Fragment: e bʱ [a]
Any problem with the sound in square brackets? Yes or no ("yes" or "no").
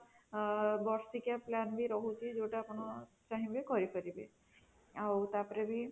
yes